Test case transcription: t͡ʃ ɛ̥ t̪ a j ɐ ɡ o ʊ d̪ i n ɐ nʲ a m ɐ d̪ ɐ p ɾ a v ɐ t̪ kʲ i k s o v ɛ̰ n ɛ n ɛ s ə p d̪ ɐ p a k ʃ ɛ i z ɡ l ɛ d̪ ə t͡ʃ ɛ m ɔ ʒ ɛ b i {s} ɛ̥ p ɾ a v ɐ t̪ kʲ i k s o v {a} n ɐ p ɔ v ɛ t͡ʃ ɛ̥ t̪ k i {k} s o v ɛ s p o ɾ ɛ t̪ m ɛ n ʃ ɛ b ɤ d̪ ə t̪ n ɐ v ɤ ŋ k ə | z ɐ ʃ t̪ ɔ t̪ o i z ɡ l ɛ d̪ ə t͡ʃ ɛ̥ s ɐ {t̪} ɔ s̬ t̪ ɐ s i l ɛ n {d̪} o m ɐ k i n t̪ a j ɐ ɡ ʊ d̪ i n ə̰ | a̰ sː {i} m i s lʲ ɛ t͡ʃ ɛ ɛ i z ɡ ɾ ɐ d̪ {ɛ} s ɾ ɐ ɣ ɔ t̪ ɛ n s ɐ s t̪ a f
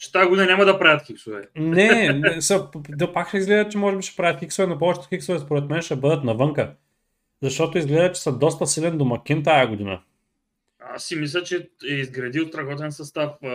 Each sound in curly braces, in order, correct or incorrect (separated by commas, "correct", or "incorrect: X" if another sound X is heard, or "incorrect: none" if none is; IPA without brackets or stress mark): incorrect: ʃ, incorrect: ɛ, correct, incorrect: d̪, correct, correct, incorrect: i